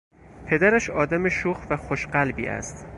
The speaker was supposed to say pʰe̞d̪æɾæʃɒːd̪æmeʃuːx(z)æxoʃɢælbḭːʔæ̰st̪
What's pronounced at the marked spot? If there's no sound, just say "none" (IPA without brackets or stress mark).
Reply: v